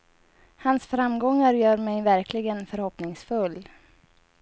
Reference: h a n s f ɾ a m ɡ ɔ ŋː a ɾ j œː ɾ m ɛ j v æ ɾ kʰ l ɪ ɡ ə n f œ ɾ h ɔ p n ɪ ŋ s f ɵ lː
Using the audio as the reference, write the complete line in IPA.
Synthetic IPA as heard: h a n s f ɾ a m ɡ ɔ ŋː a ɾ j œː ɾ m ɛ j v æ ɾ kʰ l ɪ ɡ ə n f œ ɾ h ɔ p n ɪ ŋ s f ɵ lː